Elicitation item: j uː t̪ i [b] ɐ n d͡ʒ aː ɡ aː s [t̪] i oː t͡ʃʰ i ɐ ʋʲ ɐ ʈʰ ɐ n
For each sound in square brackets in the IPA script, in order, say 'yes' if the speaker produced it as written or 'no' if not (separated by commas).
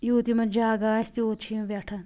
no, yes